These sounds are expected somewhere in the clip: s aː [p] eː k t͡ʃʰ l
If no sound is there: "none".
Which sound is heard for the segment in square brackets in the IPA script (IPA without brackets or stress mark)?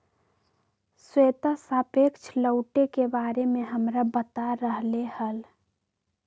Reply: p